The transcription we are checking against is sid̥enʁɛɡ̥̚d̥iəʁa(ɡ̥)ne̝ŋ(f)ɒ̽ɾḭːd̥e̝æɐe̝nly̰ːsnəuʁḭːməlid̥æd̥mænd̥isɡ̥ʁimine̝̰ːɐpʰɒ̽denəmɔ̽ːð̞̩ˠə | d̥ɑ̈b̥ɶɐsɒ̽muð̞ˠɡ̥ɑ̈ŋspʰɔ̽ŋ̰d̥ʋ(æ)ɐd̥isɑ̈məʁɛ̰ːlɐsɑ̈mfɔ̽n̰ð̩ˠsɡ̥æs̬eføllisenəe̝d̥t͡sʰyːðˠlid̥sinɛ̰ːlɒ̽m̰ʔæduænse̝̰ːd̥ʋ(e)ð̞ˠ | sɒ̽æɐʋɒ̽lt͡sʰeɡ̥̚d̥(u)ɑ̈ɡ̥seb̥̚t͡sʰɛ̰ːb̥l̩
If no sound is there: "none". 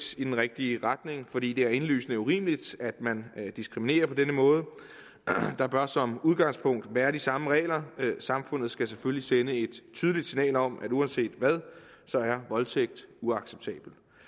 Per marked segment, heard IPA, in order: d̥, f, æː, æ, u

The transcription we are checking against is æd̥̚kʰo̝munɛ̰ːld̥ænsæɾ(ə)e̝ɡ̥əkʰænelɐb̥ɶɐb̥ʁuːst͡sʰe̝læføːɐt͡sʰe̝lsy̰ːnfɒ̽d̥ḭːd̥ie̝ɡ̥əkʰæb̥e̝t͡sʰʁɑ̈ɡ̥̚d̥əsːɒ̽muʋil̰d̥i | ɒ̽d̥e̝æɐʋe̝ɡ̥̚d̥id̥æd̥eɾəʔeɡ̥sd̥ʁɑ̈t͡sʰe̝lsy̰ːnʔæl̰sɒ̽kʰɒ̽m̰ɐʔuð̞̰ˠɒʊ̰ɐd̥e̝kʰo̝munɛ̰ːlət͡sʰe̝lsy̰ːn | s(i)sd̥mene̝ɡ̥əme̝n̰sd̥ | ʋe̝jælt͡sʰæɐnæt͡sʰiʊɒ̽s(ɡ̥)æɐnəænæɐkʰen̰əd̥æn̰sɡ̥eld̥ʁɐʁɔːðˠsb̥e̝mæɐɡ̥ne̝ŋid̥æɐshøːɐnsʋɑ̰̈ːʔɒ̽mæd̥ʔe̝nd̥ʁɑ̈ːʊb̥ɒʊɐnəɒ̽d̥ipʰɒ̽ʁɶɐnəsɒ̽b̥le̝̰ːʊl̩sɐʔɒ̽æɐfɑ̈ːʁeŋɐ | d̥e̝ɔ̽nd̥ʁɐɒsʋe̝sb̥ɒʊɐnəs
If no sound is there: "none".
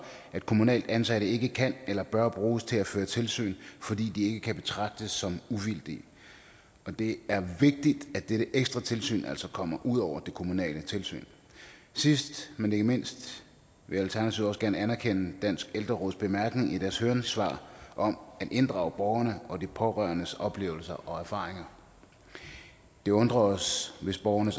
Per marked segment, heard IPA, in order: ə, i, ɡ̥

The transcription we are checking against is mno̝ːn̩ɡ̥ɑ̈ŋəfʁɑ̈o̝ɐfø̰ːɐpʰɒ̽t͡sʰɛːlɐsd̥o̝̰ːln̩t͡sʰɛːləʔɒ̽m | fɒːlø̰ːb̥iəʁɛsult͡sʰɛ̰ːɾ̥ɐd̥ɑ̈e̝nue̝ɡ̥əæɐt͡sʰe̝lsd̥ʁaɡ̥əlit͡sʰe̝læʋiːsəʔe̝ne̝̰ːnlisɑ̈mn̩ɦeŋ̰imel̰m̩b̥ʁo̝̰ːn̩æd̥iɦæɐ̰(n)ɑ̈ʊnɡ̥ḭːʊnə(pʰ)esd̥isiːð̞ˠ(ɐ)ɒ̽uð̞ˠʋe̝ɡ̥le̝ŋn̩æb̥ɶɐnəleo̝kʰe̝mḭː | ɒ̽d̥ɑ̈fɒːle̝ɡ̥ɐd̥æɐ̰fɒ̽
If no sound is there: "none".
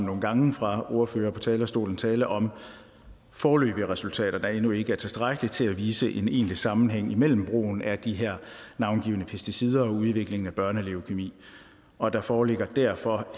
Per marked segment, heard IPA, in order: n, pʰ, ɐ

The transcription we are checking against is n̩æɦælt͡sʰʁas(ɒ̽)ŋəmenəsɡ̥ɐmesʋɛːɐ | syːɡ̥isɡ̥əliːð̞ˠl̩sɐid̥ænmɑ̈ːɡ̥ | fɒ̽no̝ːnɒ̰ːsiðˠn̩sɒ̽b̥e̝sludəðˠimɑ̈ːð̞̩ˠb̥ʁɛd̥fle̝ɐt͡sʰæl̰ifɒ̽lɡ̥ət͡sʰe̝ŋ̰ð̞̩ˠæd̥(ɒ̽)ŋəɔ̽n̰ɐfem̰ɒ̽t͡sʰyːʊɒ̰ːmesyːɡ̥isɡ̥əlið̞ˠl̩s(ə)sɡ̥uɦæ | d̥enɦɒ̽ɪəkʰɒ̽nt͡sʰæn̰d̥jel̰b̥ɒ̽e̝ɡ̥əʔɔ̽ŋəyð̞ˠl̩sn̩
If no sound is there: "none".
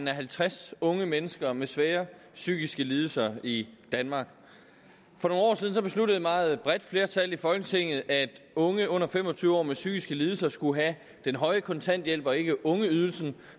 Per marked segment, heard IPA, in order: ɔ̽, ɔ̽, ɐ

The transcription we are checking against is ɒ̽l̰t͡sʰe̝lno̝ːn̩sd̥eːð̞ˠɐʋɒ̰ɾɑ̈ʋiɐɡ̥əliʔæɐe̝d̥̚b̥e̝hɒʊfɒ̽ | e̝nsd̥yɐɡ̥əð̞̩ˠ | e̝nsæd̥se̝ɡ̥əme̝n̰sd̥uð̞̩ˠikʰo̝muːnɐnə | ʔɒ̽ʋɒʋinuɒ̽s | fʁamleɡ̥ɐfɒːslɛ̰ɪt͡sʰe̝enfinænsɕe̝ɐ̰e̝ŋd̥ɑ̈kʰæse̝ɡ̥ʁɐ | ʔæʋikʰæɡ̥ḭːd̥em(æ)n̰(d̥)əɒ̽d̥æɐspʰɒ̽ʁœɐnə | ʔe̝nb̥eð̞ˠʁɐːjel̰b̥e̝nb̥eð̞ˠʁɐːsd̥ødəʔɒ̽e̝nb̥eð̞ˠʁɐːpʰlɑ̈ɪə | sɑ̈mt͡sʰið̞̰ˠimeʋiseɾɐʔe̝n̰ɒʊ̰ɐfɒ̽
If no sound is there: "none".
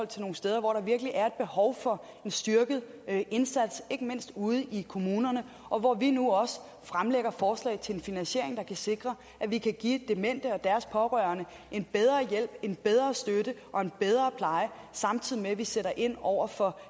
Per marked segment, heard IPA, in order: e, d̥

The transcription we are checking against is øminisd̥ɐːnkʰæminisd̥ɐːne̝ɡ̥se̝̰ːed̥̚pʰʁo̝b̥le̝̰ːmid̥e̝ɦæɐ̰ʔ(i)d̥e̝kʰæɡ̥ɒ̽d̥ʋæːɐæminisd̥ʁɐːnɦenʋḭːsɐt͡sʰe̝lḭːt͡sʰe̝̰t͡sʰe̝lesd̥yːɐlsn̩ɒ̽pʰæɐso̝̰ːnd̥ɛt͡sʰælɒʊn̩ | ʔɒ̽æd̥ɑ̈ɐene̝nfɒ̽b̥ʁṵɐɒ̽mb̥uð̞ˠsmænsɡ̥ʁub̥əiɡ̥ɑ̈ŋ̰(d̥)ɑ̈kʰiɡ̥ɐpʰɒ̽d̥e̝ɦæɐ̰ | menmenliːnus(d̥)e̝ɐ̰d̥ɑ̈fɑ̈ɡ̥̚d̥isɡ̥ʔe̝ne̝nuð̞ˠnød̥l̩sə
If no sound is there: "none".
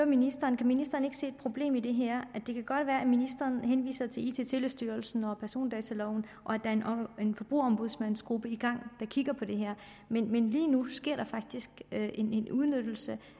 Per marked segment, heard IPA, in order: æ, d̥, ɡ̥

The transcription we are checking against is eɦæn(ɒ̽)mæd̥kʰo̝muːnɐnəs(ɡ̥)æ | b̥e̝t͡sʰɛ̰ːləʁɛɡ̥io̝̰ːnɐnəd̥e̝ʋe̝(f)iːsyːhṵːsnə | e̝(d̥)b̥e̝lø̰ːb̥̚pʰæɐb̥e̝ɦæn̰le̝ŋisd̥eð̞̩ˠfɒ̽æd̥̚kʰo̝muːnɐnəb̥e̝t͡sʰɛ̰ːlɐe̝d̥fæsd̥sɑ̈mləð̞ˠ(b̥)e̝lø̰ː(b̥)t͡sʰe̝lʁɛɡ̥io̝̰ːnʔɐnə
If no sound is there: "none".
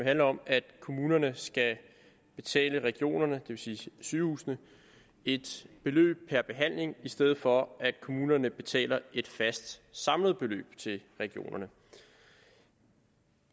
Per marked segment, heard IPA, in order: ɒ̽, ɡ̥, s, d̥, b̥, b̥

